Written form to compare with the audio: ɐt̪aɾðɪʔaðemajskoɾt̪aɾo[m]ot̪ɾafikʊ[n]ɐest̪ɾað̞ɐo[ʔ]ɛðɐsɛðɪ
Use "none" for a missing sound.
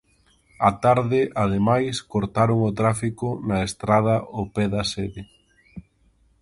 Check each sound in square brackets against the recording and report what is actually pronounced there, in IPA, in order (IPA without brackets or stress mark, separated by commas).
ŋ, n, p